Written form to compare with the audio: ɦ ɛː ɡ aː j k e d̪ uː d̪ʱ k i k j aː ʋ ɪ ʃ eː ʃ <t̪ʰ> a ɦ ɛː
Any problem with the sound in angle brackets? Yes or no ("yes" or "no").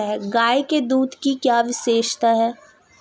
yes